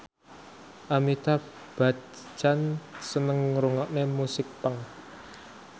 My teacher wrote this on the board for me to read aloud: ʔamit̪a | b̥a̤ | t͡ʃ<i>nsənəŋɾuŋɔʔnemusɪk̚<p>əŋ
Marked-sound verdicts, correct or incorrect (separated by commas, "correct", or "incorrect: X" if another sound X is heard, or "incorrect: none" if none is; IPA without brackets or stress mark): incorrect: a, correct